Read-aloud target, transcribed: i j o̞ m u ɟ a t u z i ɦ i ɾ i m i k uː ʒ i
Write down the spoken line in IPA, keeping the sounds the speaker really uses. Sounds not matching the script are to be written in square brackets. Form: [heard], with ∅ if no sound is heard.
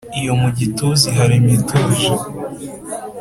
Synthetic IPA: i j o̞ m u ɟ [i] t u z i ɦ [a] ɾ i m i [t] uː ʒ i